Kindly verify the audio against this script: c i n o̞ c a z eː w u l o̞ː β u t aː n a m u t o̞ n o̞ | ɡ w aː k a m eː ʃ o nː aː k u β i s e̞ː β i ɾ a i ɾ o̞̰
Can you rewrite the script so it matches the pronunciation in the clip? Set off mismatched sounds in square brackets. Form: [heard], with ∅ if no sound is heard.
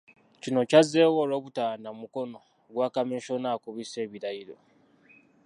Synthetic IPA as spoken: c i n o̞ c a z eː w [o] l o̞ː β u t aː n a m u [k] o̞ n o̞ | ɡ w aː k a m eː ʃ o [n] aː k u β i s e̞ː β i ɾ a i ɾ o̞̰

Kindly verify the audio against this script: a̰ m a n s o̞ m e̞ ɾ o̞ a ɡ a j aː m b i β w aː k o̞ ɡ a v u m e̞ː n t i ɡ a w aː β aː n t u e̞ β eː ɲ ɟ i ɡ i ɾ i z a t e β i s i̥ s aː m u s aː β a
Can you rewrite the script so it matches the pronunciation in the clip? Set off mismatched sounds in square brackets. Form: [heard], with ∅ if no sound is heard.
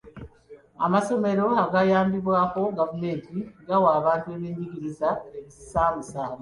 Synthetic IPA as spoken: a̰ m a [∅] s o̞ m e̞ ɾ o̞ a ɡ a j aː m b i β w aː k o̞ ɡ a v u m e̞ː n t i ɡ a w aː β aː n t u e̞ β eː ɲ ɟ i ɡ i ɾ i z a [∅] e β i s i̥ s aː m u s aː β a

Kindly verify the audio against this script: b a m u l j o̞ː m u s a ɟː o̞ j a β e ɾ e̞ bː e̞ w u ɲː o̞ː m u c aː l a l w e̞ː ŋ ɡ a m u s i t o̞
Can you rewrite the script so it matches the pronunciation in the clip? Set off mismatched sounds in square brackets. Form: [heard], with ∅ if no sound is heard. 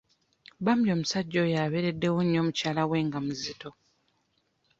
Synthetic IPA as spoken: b a m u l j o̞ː m u s a ɟː o̞ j a β e ɾ e̞ [dː] e̞ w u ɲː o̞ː m u c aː l a [∅] w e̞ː ŋ ɡ a m u [z] i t o̞

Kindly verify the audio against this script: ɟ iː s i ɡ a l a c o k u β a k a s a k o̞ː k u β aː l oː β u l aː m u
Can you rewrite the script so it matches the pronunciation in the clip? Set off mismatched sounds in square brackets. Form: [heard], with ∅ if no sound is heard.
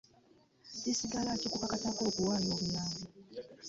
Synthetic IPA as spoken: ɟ [i] s i ɡ a l a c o k u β a k a [t] a k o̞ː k u [w] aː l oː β u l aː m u

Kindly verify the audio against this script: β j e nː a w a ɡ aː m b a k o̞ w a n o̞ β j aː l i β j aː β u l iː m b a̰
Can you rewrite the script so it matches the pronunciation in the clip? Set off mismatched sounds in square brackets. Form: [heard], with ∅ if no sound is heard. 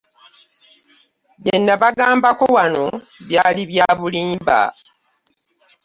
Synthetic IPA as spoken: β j e nː a [β] a ɡ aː m b a k o̞ w a n o̞ β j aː l i β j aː β u l iː m b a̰

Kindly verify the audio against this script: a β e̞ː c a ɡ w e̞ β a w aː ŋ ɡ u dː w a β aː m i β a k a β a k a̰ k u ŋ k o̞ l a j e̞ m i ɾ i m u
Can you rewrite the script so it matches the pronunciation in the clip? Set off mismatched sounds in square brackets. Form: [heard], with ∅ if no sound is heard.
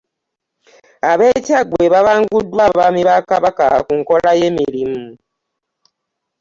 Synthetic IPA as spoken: a β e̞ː c a ɡ w e̞ β a [β] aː ŋ ɡ u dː w a β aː m i β a k a β a k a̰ k u ŋ k o̞ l a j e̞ m i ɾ i m u

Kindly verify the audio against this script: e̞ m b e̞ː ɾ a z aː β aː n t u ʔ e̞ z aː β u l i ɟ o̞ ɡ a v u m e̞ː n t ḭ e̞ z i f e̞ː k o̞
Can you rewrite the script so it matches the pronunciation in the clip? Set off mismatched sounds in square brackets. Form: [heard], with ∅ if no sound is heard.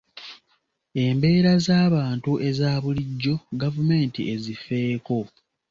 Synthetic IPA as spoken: e̞ m b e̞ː ɾ a z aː β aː n t u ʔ e̞ z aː β u l i [ɟː] o̞ ɡ a v u m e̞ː n t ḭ e̞ z i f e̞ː k o̞

